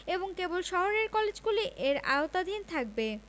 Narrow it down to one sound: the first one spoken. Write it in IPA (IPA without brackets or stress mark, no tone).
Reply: e